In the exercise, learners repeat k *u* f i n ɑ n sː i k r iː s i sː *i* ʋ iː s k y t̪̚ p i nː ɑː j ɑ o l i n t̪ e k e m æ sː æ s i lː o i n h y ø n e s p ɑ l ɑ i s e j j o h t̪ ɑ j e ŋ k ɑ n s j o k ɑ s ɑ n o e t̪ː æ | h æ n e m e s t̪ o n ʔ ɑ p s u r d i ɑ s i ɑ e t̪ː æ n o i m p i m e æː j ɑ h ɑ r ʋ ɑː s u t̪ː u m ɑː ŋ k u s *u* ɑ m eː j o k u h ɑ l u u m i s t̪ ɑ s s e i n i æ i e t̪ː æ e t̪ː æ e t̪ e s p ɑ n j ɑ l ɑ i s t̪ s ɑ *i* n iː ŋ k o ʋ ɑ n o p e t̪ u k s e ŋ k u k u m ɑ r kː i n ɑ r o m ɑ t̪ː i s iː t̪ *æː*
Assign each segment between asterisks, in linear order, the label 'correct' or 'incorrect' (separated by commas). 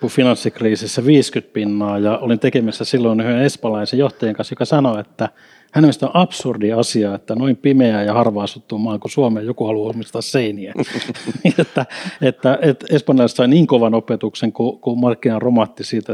correct, incorrect, correct, correct, incorrect